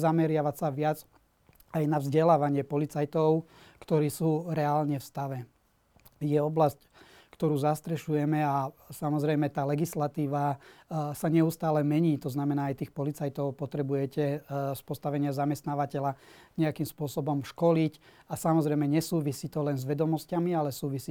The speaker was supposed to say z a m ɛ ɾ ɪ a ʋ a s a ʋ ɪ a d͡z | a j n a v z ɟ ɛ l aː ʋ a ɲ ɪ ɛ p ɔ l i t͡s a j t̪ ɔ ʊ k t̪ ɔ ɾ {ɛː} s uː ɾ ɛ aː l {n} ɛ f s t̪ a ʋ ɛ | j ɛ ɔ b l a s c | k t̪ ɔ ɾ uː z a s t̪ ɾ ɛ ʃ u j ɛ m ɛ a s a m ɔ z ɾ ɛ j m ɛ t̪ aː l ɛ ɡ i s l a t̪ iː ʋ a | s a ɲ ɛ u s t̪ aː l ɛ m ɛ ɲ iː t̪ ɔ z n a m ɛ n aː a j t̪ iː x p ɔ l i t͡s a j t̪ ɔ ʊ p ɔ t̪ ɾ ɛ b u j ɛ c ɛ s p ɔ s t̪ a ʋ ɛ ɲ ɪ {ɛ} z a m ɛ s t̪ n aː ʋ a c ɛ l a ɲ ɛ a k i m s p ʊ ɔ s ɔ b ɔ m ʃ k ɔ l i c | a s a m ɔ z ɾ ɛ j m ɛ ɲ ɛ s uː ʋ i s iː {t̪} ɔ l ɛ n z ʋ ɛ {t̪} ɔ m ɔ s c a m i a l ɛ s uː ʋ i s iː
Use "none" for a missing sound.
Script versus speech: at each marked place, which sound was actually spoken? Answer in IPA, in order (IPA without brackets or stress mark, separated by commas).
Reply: iː, ɲ, a, t̪, d̪